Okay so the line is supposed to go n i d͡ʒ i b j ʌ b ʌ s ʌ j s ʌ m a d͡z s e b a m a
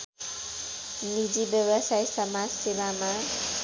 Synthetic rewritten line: n i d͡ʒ i b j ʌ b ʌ s a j s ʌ m a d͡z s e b a m a